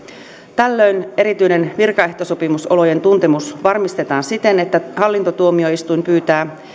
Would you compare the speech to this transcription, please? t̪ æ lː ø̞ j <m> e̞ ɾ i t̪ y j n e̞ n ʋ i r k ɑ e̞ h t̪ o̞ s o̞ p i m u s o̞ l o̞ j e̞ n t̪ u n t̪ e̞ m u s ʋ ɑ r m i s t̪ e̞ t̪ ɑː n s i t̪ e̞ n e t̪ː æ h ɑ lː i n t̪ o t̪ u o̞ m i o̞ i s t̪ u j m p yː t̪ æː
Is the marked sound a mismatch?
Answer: yes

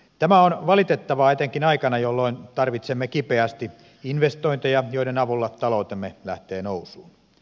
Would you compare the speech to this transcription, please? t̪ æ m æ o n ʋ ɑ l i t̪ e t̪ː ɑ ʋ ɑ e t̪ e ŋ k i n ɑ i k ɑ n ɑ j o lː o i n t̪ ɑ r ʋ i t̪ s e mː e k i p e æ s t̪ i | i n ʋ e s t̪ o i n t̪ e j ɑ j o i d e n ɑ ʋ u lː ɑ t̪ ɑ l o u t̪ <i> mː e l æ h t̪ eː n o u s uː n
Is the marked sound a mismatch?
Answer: yes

